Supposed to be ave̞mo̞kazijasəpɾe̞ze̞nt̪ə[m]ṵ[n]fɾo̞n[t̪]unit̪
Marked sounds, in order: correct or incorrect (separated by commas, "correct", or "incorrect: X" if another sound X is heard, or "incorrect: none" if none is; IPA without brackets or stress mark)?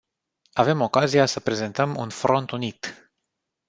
correct, correct, correct